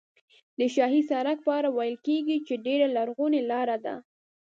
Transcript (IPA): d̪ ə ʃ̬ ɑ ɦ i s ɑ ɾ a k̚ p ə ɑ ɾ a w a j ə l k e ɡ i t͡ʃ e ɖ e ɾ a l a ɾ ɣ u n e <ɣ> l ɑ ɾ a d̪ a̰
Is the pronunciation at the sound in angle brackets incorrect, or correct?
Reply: incorrect